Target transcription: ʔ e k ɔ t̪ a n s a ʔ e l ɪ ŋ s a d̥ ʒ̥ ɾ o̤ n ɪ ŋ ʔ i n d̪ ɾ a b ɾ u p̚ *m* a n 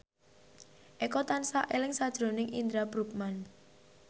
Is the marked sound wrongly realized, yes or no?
no